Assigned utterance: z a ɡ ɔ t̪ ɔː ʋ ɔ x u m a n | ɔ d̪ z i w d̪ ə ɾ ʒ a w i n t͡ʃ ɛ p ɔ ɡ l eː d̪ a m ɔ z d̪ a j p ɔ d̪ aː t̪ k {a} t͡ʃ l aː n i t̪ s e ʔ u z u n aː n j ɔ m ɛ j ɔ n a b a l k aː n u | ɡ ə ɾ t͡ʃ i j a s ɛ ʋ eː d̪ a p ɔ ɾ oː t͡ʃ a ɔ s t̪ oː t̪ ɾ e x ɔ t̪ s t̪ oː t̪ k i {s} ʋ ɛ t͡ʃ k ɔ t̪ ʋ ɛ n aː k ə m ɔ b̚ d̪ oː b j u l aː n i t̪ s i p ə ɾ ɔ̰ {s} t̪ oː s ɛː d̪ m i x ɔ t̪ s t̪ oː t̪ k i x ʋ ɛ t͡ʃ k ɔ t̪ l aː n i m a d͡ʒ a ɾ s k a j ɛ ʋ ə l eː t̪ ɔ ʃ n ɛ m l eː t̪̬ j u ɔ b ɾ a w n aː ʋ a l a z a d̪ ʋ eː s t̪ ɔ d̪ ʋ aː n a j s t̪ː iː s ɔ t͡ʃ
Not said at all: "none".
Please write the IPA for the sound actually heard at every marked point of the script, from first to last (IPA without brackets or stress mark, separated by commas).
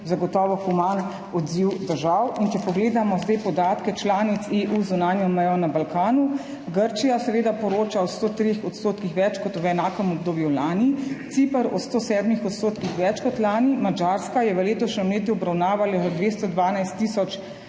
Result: ɛ, x, s